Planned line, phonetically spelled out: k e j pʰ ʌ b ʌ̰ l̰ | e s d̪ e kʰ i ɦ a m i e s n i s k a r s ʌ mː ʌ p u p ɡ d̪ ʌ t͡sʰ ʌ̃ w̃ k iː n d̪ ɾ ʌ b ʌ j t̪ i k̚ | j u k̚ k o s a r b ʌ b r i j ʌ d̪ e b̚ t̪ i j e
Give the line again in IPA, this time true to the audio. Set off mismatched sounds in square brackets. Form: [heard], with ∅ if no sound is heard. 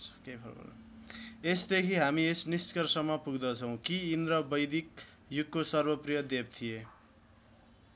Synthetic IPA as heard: k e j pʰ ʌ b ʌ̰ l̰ | e s d̪ e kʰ i ɦ a m i e s n i s k [ʌ] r s ʌ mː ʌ p u [∅] ɡ d̪ ʌ t͡sʰ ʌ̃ w̃ k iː n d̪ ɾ ʌ b ʌ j [d̪] i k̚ | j u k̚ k o s [ʌ] r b ʌ [p] r i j ʌ d̪ e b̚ [t̪ʰ] i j e

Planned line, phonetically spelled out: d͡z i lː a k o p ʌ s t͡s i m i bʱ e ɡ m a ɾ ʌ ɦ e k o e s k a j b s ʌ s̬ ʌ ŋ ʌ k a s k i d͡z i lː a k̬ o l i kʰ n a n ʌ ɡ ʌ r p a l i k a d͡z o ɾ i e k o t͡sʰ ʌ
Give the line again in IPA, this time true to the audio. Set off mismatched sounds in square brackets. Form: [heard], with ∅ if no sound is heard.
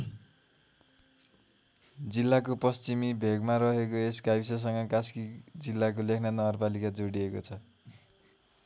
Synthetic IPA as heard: d͡z i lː a k o p ʌ s t͡s i m i bʱ e ɡ m a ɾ ʌ ɦ e k o e s k a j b s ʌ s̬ ʌ ŋ ʌ k a s k i d͡z i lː a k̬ o l [e] kʰ n a n ʌ ɡ ʌ r p a l i k a d͡z o [ɽ] i e k o t͡sʰ ʌ

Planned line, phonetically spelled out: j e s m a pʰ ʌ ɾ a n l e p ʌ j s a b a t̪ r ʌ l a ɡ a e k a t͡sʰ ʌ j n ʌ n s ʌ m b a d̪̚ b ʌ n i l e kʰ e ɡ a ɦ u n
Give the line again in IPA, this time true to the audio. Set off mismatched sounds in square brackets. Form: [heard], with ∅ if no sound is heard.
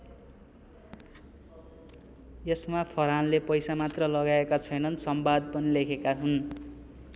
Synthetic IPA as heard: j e s m a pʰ ʌ ɾ a n l e p ʌ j s a [m] a t̪ r ʌ l [ʌ] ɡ a e k a t͡sʰ ʌ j n ʌ n s ʌ m b a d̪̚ [p] ʌ n i l e kʰ e [k] a ɦ u n

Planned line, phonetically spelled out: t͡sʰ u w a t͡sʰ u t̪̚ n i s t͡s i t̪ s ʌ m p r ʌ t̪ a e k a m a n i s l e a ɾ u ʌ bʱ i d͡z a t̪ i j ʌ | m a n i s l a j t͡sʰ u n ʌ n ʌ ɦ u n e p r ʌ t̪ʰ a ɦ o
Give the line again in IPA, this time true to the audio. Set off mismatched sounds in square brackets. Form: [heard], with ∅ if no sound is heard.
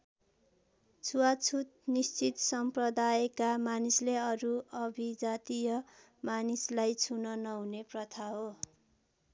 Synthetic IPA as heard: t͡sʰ u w a t͡sʰ u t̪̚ n i s t͡s i t̪ s ʌ m p r ʌ [d̪] a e k a m a n i s l e [ʌ] ɾ u ʌ bʱ i d͡z a t̪ i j ʌ | m a n i s l a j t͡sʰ u n ʌ n ʌ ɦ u n e p r ʌ t̪ʰ a ɦ o

